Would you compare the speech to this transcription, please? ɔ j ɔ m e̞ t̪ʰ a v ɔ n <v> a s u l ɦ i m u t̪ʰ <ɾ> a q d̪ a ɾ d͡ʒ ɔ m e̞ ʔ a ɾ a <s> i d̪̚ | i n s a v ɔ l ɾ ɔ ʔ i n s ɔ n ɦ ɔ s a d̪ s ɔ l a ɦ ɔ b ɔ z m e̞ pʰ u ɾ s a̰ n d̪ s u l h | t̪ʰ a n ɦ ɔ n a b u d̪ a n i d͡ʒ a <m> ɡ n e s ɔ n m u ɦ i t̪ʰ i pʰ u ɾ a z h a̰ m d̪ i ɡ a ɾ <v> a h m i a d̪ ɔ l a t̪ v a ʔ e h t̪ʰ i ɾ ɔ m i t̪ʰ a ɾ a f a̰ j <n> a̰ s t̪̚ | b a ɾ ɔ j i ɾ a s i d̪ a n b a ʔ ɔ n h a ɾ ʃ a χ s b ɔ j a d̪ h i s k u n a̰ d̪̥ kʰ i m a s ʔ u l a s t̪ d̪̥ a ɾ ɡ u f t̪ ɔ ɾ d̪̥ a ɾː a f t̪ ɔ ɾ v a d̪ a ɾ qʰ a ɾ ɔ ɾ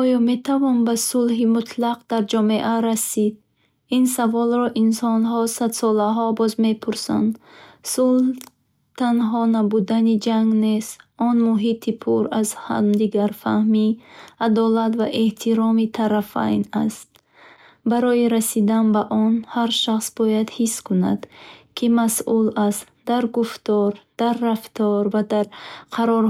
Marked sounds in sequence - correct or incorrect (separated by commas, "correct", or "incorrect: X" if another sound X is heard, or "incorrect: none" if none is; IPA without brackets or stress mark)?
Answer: incorrect: b, incorrect: l, correct, incorrect: ŋ, incorrect: f, correct